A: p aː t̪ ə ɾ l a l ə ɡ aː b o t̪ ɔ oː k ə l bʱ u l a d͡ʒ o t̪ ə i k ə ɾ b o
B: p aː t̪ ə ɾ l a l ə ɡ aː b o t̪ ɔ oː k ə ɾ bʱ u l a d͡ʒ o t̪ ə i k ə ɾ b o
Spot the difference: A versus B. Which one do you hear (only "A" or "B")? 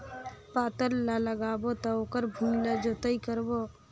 B